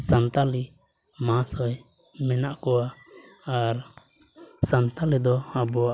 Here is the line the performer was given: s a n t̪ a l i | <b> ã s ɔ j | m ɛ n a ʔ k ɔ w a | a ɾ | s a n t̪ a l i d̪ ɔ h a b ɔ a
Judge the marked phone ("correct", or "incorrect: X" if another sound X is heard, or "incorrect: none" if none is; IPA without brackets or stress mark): incorrect: m